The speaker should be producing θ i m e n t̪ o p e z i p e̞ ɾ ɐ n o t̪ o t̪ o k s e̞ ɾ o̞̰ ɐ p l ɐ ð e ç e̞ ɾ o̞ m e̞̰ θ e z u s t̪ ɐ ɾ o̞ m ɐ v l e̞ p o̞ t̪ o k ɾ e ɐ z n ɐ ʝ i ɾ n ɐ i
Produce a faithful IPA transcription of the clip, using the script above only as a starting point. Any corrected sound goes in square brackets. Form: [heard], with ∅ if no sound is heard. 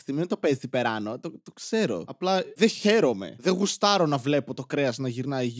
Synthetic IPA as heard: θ i m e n t̪ o p e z i p e̞ ɾ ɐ n o t̪ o t̪ o k s e̞ ɾ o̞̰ ɐ p l ɐ ð e ç e̞ ɾ o̞ m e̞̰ [ð] e [ɣ] u s t̪ ɐ ɾ o̞ [n] ɐ v l e̞ p o̞ t̪ o k ɾ e ɐ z n ɐ ʝ i ɾ n ɐ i